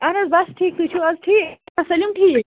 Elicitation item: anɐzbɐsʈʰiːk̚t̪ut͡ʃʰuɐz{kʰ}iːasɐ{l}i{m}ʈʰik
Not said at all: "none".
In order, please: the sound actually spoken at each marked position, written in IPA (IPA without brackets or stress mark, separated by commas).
ʈʰ, l, m